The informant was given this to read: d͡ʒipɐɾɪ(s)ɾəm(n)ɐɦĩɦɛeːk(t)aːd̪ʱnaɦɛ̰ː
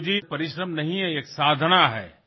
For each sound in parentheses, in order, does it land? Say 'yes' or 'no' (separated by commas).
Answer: no, yes, no